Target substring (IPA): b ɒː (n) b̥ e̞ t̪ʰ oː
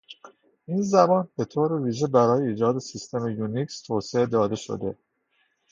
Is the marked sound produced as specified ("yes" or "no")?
yes